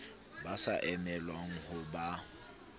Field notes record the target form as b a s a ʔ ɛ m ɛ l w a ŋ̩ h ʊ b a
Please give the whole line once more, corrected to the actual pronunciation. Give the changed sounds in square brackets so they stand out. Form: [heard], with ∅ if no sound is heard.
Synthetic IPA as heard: b a s a ʔ ɛ m ɛ l w a ŋ̩ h ʊ b a